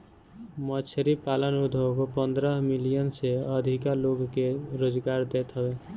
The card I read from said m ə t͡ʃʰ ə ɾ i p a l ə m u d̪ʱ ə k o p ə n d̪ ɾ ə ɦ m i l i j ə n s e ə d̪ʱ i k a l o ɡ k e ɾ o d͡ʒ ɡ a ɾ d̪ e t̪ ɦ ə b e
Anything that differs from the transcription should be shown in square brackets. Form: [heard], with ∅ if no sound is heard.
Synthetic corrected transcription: m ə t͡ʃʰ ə ɾ i p a l ə [n] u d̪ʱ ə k o p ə n d̪ ɾ ə ɦ m i l i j ə n s e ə d̪ʱ i k a l o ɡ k e ɾ o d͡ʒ ɡ a ɾ d̪ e t̪ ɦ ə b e